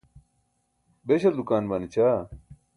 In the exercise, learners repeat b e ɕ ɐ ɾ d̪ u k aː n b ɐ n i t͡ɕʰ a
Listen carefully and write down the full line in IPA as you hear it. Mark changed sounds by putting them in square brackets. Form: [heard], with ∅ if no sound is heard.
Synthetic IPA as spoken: b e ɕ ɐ [l] d̪ u k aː n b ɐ n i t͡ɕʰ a